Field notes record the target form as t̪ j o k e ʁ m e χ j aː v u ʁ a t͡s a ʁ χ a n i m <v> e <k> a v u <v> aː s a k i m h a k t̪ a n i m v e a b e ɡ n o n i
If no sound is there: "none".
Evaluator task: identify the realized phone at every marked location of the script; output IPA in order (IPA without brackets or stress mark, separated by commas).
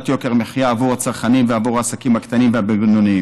v, none, ʁ